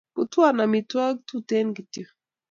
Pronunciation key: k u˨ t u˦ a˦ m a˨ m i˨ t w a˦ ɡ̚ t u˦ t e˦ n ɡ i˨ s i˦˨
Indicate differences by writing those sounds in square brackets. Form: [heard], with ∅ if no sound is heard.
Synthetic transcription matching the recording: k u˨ t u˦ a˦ [n] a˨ m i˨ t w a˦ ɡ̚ t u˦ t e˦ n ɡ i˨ [t] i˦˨

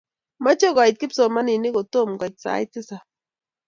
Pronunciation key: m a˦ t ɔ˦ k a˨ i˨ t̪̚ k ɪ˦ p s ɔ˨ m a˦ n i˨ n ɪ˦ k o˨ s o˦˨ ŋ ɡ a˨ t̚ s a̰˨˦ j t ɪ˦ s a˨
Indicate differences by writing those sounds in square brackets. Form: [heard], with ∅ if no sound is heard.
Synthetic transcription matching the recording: m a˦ [t͡ʃ] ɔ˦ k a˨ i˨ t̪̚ k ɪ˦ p s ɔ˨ m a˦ n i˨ n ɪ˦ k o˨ [t] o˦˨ [m] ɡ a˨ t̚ s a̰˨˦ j t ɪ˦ s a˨

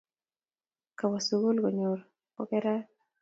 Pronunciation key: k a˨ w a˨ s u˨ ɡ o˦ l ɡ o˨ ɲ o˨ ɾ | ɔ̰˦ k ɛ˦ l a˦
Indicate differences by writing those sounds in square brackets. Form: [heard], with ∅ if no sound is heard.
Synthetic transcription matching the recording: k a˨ w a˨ s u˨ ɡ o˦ l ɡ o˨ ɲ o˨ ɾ | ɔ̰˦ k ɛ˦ [ɾ] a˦

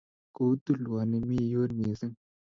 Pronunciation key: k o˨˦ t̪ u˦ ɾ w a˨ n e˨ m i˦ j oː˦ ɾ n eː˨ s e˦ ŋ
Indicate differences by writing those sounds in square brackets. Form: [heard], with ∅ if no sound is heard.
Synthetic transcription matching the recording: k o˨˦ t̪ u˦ [l] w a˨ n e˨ m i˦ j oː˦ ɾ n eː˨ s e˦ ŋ

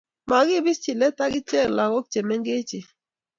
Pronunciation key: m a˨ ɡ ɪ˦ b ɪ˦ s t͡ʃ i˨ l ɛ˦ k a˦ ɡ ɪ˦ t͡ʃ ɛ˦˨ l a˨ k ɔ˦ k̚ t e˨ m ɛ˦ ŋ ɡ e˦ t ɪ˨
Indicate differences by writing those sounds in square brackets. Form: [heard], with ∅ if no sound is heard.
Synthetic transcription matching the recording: m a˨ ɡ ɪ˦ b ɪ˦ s t͡ʃ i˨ l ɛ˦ [t] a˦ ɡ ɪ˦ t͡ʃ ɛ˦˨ l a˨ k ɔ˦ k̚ [t͡ʃ] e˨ m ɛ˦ ŋ ɡ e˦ [t͡ʃ] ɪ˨

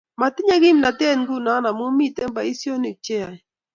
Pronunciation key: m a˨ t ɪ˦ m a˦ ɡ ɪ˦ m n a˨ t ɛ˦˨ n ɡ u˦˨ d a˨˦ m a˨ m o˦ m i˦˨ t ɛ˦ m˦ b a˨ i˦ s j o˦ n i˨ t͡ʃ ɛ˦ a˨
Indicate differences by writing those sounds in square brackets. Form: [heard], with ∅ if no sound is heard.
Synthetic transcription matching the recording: m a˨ t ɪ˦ [ɲ] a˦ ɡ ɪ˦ m n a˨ t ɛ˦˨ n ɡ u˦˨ [n] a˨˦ [n] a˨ m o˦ m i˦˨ t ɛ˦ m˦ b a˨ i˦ s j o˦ n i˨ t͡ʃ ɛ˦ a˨

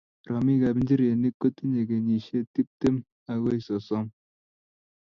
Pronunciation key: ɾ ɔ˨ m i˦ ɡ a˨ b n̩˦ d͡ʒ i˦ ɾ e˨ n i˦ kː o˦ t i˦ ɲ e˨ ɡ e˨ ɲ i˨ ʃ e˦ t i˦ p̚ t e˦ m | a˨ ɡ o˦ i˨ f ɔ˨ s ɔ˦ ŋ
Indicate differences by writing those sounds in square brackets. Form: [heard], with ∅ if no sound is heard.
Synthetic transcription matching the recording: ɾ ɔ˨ m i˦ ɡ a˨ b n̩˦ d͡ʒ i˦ ɾ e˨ n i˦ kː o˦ t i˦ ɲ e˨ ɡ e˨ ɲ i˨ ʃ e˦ t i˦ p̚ t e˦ m | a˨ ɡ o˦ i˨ [s] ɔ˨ s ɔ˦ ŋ

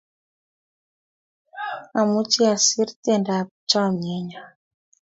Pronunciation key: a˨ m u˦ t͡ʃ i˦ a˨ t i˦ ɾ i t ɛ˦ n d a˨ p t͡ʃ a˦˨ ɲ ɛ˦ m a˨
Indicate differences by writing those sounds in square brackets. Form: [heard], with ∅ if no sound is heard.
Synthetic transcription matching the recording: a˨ m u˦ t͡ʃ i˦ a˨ [s] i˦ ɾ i t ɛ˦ n d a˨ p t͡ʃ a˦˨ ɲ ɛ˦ [ɲ] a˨

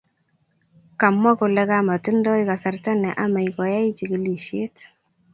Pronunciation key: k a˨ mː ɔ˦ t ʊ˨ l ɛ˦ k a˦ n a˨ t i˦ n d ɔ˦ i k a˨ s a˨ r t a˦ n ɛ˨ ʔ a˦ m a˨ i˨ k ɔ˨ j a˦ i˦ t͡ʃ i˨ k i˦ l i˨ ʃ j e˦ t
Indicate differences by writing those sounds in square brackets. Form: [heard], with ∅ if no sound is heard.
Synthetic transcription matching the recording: k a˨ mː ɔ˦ [k] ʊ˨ l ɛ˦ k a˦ [m] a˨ t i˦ n d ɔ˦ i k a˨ s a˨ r t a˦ n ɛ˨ ʔ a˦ m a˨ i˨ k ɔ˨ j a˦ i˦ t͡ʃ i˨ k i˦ l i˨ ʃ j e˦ t

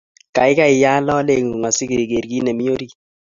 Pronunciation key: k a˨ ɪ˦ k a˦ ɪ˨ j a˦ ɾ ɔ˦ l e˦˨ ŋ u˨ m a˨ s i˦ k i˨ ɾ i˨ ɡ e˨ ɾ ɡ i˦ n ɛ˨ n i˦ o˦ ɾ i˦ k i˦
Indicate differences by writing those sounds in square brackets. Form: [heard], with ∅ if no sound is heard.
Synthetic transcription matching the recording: k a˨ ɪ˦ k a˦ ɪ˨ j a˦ [l] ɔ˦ l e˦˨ ŋ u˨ [ŋ] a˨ s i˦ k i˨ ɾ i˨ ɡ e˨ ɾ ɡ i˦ n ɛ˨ [m] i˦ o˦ ɾ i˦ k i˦

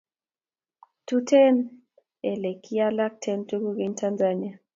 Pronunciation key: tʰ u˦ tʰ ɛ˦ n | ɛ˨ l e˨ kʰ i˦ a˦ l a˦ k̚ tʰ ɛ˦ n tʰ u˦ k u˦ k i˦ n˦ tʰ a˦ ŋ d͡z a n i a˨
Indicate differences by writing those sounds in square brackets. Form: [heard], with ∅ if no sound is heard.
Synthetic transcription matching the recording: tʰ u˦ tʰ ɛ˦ n | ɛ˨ l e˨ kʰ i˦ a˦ l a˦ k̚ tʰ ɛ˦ n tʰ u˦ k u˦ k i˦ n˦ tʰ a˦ [n] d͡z a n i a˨

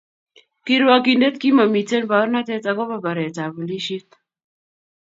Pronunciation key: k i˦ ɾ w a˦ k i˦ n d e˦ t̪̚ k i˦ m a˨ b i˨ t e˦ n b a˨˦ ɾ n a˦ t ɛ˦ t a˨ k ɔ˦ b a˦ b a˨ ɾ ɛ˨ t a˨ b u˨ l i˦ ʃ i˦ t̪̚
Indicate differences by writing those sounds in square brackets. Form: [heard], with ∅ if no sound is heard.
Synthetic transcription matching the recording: k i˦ ɾ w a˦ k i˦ n d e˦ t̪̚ k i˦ m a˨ [m] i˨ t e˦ n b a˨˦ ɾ n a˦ t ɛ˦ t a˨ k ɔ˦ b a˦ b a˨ ɾ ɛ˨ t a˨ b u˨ l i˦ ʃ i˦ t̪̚

